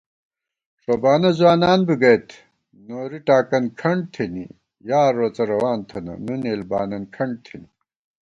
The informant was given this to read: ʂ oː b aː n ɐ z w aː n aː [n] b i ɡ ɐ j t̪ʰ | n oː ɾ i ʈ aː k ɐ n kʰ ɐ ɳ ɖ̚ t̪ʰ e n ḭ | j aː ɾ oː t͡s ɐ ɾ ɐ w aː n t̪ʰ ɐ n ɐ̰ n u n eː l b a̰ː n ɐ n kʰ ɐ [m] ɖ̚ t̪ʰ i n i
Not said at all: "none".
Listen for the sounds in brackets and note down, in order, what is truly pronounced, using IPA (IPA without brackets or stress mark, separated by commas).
n, ɳ